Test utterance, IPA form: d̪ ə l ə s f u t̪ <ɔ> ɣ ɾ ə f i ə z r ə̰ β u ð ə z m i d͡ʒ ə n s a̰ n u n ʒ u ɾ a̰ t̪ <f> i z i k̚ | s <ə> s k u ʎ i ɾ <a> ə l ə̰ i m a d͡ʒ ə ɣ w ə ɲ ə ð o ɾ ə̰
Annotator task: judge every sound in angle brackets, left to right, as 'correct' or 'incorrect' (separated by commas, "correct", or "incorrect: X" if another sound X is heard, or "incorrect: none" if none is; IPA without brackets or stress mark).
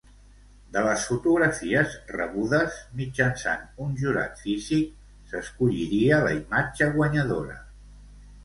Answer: incorrect: u, correct, correct, incorrect: i